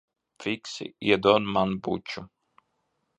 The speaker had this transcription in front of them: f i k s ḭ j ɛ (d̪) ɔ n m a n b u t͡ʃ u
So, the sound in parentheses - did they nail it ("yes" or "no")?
yes